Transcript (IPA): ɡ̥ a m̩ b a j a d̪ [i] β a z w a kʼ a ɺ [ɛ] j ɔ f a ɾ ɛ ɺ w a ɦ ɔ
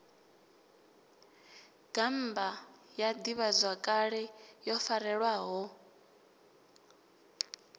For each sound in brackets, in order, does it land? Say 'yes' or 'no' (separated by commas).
yes, yes